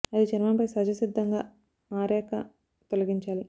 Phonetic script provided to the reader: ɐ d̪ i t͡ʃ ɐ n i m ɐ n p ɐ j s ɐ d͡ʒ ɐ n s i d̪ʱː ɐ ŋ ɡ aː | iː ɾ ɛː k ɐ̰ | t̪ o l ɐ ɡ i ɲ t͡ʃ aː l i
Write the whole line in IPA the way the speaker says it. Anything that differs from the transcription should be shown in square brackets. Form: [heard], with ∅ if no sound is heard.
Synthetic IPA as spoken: ɐ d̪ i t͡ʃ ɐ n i m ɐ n p ɐ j s ɐ d͡ʒ ɐ [∅] s i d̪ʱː ɐ ŋ ɡ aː | [aː] ɾ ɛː k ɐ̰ | t̪ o l ɐ ɡ i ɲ t͡ʃ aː l i